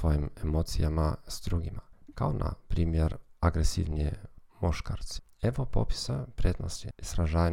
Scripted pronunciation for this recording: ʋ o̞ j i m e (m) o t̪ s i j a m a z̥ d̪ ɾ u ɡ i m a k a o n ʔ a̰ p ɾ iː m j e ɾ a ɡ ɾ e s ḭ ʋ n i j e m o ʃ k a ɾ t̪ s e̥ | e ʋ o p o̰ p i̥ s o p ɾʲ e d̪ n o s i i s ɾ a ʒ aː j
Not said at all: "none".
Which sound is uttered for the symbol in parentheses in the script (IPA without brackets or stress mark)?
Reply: m